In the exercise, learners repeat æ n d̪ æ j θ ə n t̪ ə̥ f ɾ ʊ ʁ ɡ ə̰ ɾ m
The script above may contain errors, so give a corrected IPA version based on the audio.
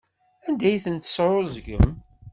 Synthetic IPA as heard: æ n d̪ æ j θ ə n t̪ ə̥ s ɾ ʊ z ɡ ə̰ m